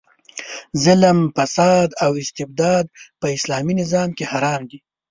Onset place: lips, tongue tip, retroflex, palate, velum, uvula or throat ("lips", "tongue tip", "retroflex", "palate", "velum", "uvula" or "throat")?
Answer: tongue tip